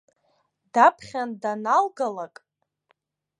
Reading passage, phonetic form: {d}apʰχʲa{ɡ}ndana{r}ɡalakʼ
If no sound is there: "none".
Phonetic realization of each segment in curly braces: d, none, l

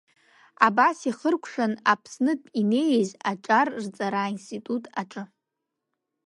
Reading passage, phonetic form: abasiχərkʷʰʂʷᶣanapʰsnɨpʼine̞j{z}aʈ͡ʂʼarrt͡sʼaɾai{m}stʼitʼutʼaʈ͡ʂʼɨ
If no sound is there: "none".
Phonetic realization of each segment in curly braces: z, n

